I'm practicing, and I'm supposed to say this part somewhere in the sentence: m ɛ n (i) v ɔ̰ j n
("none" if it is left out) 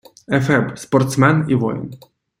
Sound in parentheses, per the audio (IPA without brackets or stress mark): i